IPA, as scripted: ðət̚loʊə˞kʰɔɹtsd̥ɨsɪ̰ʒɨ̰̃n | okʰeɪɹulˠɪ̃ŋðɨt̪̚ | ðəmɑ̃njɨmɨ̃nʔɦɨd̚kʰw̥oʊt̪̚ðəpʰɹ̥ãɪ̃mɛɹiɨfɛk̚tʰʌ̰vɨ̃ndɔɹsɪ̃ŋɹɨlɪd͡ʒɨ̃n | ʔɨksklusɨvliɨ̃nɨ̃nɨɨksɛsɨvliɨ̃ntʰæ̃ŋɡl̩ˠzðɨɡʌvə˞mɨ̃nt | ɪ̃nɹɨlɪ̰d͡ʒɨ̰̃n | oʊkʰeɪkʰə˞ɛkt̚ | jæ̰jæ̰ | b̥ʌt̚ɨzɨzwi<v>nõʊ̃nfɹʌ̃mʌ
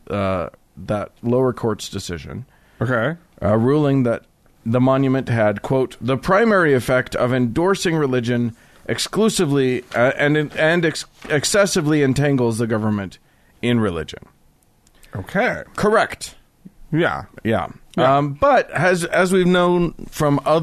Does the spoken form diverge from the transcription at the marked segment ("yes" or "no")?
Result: no